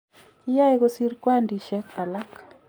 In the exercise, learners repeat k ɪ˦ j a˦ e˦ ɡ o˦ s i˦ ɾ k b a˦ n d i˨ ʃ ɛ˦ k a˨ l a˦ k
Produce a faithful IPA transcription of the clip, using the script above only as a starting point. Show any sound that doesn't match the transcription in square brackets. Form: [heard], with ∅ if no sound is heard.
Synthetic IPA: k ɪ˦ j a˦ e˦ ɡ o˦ s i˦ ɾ k [w] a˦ n d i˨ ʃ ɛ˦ k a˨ l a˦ k